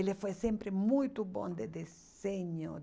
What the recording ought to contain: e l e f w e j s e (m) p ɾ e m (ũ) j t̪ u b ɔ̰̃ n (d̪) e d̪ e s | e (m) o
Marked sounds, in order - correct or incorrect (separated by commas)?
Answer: correct, incorrect, correct, incorrect